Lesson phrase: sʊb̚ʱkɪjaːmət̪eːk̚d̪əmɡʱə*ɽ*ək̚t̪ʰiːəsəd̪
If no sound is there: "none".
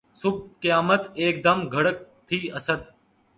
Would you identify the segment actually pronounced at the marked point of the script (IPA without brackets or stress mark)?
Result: ɽ